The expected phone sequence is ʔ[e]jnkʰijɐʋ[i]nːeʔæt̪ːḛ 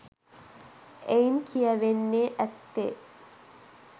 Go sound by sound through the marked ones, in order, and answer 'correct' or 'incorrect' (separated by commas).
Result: correct, incorrect